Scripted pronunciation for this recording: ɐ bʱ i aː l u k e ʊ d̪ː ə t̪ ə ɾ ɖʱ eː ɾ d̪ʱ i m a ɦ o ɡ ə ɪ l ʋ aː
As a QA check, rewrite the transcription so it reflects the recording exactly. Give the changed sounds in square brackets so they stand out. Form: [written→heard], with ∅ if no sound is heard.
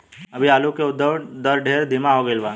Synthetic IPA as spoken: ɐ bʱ i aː l u k e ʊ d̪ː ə [t̪→d̪] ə ɾ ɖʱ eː ɾ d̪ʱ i m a ɦ o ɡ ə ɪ l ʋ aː